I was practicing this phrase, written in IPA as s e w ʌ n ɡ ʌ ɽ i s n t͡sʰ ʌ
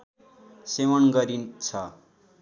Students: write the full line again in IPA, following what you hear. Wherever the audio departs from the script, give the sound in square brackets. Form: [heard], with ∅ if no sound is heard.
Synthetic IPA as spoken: s e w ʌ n ɡ ʌ [ɾ] i [∅] n t͡sʰ ʌ